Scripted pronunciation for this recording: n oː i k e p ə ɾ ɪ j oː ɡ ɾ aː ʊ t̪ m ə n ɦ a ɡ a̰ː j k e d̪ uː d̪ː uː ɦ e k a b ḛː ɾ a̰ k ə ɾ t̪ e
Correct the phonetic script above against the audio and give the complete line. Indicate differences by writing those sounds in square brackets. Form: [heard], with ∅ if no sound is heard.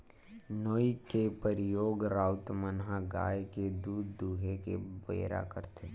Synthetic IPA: n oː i k e p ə ɾ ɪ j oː ɡ ɾ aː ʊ t̪ m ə n ɦ a ɡ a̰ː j k e d̪ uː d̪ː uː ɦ e k [e] b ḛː ɾ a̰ k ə ɾ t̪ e